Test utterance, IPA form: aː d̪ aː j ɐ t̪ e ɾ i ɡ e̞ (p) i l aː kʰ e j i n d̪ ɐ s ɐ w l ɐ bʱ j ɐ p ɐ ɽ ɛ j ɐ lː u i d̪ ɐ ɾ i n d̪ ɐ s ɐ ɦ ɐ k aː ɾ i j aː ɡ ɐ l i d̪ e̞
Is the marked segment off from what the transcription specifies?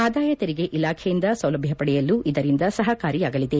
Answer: yes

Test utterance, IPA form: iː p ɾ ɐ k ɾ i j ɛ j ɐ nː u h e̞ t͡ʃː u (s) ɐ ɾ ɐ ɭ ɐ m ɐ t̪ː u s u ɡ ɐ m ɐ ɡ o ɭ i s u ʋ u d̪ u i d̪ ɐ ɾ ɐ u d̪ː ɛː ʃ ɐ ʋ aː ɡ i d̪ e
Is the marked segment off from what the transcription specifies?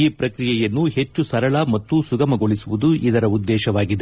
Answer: no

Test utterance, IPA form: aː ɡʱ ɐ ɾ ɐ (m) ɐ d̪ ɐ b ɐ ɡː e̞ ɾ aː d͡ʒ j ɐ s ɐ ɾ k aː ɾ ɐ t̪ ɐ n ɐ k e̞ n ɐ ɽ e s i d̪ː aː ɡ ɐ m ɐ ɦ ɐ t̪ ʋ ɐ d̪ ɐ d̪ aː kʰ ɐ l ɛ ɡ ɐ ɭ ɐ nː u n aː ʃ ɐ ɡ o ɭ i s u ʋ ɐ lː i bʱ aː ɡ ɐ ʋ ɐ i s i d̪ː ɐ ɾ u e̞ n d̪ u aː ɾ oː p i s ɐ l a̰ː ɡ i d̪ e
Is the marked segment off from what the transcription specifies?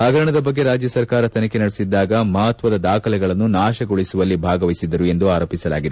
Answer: yes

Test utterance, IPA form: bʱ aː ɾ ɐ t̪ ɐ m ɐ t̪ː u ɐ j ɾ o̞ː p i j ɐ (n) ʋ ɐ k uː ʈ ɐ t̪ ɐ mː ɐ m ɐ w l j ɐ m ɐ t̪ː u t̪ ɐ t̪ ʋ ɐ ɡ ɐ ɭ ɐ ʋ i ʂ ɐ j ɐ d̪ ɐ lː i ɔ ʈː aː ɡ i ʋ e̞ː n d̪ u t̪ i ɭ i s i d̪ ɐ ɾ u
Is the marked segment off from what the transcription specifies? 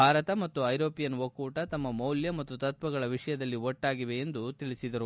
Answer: no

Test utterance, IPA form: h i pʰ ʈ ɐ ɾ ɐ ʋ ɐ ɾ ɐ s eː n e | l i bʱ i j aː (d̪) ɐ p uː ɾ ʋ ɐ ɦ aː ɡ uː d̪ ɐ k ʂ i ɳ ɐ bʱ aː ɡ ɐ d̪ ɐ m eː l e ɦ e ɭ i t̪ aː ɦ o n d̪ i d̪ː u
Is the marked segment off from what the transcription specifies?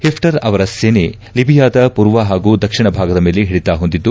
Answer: no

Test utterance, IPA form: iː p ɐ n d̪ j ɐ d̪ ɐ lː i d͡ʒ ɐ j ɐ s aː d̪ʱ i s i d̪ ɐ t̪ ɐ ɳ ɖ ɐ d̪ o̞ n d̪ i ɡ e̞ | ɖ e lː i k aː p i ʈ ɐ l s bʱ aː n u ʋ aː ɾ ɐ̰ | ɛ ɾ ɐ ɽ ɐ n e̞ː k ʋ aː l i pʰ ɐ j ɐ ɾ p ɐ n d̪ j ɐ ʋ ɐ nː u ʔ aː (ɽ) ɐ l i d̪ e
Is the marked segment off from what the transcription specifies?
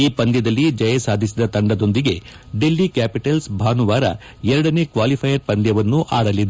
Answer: no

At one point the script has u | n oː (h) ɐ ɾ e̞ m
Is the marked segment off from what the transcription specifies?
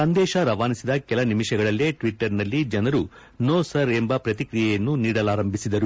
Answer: yes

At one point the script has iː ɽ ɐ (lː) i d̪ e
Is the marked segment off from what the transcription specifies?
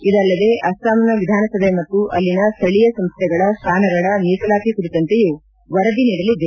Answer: yes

